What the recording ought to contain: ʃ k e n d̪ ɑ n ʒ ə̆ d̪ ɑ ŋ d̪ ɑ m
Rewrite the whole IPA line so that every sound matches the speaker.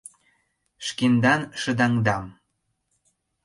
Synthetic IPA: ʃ k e n d̪ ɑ n ʃ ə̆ d̪ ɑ ŋ d̪ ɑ m